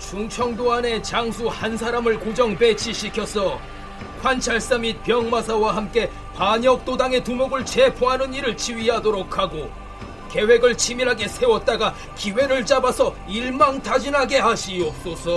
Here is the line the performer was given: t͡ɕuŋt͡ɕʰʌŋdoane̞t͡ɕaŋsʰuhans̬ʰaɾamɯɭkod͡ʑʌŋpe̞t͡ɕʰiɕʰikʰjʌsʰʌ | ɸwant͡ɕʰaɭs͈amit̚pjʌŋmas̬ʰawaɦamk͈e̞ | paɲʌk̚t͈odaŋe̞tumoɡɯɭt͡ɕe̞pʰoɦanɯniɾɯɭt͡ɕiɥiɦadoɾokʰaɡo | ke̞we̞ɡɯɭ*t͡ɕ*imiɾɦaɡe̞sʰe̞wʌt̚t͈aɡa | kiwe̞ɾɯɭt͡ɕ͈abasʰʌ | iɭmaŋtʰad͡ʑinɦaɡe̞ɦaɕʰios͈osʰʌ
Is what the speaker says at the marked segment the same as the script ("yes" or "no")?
no